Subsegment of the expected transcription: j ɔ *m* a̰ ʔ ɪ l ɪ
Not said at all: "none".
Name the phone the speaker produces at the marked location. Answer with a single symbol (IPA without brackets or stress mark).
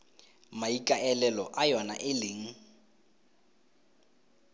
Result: n